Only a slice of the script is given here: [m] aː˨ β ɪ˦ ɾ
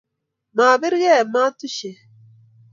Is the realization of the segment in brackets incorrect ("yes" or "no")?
no